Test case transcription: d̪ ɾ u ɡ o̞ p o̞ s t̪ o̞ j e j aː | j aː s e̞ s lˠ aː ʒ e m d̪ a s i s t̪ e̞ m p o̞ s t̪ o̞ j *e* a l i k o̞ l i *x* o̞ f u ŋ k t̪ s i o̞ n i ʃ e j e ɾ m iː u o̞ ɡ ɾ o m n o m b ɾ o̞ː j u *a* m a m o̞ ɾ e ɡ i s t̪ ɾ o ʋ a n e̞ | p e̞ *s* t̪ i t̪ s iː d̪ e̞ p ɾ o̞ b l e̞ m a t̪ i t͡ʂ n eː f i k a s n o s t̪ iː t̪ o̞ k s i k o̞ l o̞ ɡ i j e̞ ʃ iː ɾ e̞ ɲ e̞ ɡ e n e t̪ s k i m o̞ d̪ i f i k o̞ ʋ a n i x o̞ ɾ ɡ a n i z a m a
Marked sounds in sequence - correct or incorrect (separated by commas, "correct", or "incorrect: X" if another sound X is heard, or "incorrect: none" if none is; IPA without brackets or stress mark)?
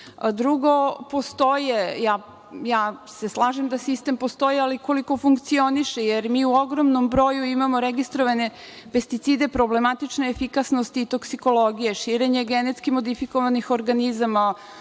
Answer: incorrect: i, incorrect: k, incorrect: i, correct